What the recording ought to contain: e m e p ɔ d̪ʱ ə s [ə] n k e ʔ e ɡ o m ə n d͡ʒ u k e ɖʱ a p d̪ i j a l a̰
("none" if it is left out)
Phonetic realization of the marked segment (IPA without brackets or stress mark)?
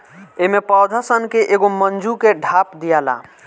ə